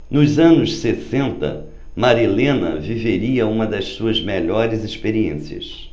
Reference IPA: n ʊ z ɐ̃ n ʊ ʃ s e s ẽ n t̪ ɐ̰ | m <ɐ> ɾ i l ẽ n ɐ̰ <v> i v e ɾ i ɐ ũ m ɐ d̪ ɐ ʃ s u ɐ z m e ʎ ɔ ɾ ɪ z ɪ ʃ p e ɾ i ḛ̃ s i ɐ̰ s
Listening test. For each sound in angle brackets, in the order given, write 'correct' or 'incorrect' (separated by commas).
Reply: incorrect, correct